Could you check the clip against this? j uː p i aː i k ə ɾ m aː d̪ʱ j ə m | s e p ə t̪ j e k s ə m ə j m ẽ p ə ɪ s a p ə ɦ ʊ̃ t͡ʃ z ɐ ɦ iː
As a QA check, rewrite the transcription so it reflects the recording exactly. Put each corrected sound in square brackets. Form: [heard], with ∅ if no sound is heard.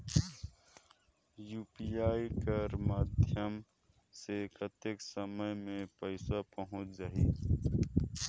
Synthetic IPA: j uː p i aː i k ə ɾ m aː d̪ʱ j ə m | s e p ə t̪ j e k s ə m ə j m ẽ p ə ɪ s a p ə ɦ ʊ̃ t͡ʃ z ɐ ɦ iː